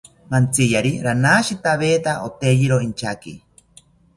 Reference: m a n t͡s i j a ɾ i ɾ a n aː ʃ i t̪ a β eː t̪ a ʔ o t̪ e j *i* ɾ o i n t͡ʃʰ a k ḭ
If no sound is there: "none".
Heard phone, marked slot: i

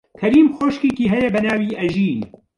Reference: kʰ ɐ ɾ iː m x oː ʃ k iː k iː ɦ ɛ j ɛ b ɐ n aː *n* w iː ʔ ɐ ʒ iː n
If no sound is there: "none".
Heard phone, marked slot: none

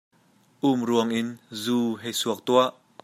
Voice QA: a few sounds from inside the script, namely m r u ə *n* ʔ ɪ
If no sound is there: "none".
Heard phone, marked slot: ŋ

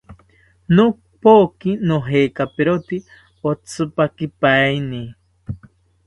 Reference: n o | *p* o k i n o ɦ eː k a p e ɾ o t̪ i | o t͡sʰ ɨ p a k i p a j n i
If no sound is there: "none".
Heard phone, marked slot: p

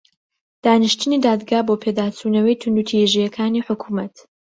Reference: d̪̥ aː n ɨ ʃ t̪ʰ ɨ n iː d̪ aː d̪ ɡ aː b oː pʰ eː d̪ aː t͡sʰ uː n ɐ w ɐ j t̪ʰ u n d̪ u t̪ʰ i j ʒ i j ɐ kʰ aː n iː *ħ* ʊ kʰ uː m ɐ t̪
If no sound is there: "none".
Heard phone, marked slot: ħ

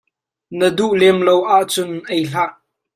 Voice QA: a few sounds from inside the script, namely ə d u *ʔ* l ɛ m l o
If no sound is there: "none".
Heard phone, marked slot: ʔ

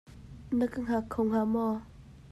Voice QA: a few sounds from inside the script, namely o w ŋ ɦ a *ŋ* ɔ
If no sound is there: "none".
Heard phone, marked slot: m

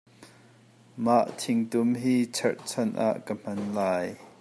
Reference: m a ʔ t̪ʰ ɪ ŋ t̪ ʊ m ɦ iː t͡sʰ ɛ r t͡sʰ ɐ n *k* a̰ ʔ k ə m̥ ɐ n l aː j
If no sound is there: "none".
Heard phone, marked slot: ʔ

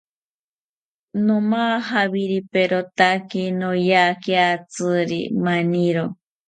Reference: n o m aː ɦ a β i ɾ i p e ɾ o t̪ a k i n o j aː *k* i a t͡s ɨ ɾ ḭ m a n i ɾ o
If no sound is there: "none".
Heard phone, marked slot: k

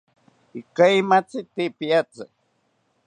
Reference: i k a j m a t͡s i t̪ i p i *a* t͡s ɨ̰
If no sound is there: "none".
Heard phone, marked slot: a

